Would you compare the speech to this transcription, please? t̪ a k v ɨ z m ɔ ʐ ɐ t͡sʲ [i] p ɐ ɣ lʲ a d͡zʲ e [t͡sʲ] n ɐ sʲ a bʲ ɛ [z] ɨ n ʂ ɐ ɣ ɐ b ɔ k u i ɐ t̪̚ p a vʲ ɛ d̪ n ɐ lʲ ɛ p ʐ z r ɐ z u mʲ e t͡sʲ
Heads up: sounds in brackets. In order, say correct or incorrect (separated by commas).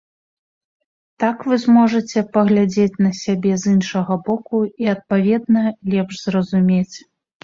incorrect, correct, correct